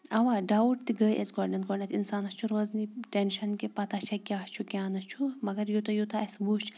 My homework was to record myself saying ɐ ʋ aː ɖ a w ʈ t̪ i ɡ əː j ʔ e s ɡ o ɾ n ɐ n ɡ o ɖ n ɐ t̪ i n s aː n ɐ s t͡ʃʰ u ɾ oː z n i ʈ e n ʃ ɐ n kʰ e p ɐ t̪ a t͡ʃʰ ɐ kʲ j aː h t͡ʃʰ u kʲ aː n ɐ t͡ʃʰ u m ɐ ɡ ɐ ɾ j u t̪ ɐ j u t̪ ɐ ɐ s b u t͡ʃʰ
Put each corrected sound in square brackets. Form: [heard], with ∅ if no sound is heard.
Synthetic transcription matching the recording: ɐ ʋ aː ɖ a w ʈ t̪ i ɡ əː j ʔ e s ɡ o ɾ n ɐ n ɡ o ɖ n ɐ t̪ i n s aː n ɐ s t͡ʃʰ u ɾ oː z n i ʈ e n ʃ ɐ n [k] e p ɐ t̪ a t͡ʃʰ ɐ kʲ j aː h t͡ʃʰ u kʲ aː n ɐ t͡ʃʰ u m ɐ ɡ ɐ ɾ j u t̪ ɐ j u t̪ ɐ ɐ s b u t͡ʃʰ

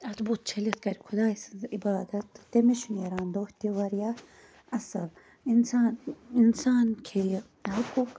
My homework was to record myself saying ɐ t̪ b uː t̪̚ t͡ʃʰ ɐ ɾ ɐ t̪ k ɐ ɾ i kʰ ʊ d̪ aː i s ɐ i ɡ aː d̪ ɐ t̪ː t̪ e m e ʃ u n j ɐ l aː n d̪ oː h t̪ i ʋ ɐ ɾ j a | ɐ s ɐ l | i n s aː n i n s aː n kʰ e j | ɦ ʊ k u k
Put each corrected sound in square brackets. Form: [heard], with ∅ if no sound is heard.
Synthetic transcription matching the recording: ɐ t̪ b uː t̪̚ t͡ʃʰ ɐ [l] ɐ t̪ k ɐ ɾ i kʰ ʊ d̪ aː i s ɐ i [b] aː d̪ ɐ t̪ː t̪ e m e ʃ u n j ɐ [ɾ] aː n d̪ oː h t̪ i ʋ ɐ ɾ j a | ɐ s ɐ l | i n s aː n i n s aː n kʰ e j | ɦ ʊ k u k

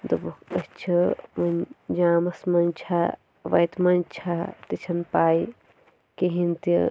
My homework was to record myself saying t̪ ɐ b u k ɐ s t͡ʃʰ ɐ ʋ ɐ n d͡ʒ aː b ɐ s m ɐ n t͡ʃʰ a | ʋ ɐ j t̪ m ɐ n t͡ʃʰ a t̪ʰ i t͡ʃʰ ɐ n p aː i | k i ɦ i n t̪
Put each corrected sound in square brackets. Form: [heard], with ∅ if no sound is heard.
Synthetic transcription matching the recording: [d̪] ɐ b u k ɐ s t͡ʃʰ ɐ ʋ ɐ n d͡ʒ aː [m] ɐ s m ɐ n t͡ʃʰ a | ʋ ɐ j t̪ m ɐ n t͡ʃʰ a [t̪] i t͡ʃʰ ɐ n p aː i | k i ɦ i n t̪

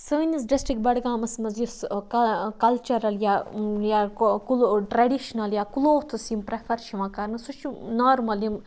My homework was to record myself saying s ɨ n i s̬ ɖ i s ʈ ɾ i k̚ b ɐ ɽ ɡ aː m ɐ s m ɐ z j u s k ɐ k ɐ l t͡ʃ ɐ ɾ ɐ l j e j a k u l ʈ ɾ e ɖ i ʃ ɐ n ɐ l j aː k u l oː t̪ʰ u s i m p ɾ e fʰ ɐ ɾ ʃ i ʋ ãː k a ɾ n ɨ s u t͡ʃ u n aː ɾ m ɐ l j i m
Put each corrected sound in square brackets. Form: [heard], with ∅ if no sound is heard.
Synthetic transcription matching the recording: s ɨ n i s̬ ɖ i s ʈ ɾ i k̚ b ɐ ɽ ɡ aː m ɐ s m ɐ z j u s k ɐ k ɐ l t͡ʃ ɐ ɾ ɐ l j [a] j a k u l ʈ ɾ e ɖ i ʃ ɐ n ɐ l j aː k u l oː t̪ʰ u s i m p ɾ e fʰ ɐ ɾ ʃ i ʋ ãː k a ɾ n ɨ s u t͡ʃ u n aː ɾ m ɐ l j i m

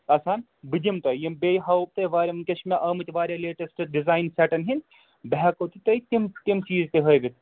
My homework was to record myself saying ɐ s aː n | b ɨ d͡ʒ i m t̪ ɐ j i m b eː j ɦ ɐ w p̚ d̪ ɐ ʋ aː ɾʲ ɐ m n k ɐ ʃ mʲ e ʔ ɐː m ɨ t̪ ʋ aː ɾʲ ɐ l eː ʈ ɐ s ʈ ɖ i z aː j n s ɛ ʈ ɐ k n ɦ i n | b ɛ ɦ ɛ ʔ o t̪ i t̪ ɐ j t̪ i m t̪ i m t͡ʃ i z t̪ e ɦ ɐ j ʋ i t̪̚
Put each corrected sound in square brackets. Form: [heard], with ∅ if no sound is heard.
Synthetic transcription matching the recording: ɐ s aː n | b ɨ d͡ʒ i m t̪ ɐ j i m b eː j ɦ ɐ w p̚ [t̪] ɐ ʋ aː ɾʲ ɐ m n k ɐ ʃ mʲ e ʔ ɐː m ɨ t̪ ʋ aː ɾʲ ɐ l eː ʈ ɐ s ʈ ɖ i z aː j n s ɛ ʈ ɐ [∅] n ɦ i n | b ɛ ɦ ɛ [k] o t̪ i t̪ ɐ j t̪ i m t̪ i m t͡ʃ [iː] z t̪ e ɦ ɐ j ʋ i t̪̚

